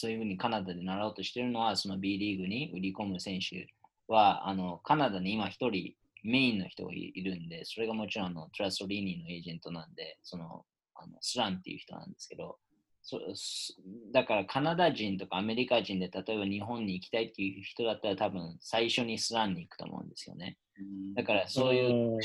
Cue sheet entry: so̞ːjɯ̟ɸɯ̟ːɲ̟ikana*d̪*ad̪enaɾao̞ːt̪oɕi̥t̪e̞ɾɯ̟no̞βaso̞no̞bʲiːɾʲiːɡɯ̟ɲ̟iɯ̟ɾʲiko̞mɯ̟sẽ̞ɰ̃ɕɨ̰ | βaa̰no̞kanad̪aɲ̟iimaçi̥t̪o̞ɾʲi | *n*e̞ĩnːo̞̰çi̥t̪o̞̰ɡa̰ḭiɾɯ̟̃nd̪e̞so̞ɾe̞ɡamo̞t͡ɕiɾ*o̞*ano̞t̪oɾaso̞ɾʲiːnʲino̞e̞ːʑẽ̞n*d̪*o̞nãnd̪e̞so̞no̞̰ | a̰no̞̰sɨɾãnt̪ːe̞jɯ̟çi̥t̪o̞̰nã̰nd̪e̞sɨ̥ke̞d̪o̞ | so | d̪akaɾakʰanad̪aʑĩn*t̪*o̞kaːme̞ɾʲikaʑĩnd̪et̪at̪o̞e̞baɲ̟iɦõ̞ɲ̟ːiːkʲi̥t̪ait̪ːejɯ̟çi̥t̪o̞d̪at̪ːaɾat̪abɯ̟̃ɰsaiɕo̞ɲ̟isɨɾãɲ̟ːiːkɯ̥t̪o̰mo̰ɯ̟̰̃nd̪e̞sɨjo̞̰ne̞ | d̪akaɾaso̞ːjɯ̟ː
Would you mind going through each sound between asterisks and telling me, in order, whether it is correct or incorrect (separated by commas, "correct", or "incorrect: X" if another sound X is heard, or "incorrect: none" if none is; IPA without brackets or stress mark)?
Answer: correct, incorrect: m, incorrect: õ̞, incorrect: t̪, correct